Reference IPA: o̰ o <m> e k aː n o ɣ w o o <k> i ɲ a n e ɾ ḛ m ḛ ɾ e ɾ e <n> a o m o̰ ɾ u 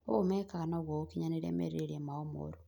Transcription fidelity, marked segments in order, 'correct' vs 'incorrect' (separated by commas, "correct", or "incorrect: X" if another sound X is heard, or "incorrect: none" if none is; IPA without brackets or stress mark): correct, correct, incorrect: m